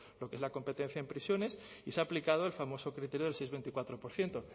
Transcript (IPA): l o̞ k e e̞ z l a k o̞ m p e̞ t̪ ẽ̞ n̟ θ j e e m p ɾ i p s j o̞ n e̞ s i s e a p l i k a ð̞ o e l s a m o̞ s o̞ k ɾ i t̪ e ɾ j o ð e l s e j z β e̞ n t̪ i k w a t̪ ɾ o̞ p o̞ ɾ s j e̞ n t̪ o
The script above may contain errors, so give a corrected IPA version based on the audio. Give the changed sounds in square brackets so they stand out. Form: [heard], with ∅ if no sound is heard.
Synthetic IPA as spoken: l o̞ k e e̞ z l a k o̞ m p e̞ t̪ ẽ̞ n̟ θ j [a] e m p ɾ i [∅] s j o̞ n e̞ s i s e a p l i k a ð̞ o e l [f] a m o̞ s o̞ k ɾ i t̪ e ɾ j o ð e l s e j z β e̞ n t̪ i k w a t̪ ɾ o̞ p o̞ ɾ [θ] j e̞ n t̪ o